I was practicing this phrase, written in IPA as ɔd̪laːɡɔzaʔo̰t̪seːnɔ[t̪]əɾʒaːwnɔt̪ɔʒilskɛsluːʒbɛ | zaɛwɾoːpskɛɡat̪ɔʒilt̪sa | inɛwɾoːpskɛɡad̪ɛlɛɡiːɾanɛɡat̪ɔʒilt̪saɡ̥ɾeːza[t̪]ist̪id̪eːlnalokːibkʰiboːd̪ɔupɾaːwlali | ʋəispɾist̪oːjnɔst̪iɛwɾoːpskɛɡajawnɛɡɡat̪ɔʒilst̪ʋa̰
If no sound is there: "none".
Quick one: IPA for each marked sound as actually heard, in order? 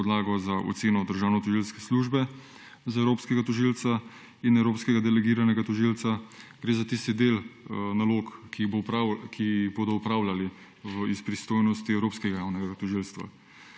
d̪, t̪

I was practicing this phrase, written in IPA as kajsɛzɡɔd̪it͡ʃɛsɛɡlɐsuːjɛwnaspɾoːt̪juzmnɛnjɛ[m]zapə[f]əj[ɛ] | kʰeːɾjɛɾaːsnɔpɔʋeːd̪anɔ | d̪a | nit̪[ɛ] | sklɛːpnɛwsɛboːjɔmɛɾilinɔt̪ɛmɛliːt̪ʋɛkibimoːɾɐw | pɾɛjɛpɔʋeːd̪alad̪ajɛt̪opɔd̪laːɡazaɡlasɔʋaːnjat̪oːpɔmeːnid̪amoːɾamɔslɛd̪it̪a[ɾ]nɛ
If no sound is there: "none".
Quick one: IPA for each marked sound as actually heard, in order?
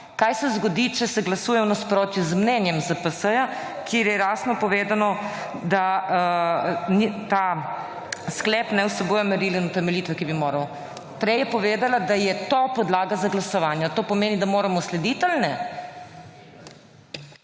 m, s, a, a, l

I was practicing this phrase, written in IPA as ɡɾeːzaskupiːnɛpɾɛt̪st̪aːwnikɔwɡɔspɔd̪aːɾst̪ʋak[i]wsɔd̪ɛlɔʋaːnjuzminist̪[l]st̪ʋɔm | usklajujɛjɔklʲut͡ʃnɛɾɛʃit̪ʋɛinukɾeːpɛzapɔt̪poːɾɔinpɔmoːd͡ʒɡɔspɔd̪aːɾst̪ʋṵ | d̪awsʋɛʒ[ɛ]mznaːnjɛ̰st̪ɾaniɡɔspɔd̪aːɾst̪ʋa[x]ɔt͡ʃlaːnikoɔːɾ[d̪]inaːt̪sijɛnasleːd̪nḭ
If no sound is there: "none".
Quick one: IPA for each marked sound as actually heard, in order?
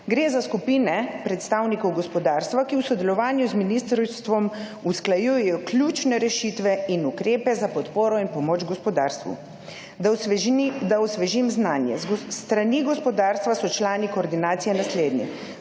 i, ɾ, i, s, d̪

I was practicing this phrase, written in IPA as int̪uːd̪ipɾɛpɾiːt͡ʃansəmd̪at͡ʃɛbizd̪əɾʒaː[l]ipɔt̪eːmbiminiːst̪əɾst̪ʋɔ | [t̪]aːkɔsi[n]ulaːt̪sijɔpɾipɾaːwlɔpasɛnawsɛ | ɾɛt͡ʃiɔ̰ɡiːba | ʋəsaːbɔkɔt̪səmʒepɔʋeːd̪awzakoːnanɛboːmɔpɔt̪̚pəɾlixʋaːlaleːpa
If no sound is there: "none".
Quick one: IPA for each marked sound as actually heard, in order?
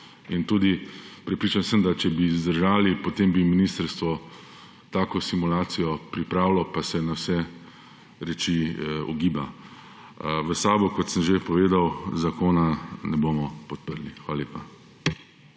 l, t̪, m

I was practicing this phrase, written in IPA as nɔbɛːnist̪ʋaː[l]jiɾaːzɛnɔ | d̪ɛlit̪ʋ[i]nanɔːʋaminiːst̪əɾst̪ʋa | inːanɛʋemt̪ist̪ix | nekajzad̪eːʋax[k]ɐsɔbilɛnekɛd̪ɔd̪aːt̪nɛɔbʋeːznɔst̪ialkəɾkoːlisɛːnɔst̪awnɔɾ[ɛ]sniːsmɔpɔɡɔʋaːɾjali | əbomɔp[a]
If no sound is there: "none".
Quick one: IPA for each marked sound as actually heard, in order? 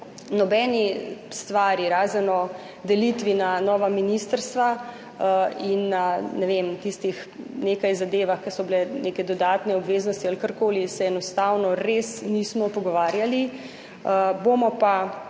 ɾ, i, k, e, a

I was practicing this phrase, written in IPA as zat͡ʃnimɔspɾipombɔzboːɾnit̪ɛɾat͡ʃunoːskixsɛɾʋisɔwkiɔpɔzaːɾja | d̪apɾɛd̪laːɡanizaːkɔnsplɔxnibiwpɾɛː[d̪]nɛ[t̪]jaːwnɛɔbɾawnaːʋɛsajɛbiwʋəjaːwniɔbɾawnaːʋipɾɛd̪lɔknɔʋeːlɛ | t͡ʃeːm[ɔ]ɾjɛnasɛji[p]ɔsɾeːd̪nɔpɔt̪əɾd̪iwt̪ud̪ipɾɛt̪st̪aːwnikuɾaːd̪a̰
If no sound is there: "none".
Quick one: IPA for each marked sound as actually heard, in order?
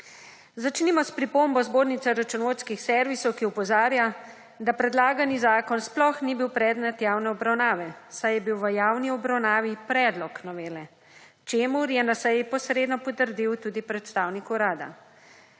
d̪, t̪, u, p

